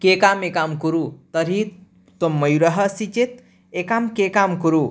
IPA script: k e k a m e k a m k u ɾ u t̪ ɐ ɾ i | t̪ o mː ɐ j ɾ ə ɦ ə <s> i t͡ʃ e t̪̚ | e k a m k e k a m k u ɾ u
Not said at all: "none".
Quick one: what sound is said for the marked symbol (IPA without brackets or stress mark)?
s